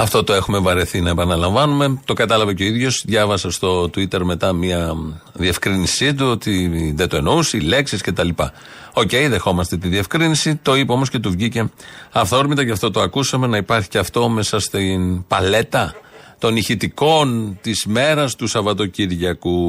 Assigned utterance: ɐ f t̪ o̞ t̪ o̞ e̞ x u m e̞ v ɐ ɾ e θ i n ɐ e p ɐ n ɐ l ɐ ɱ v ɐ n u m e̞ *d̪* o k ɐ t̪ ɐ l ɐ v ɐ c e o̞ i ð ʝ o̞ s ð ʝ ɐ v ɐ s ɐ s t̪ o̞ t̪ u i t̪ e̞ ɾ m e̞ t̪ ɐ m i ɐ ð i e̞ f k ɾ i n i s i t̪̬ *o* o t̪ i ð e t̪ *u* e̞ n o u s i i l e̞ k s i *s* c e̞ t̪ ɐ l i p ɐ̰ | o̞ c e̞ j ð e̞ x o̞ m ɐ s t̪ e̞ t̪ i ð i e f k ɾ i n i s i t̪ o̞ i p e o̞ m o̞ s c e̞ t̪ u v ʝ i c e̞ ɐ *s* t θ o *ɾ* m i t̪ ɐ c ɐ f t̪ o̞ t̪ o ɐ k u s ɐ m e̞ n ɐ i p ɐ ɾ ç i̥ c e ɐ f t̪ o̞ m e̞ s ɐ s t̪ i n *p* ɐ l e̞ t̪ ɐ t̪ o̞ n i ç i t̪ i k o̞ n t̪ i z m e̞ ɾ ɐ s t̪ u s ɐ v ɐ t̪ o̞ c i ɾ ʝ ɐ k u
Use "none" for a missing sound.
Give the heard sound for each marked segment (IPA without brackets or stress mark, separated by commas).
t̪, u, o, s, f, ɾ, p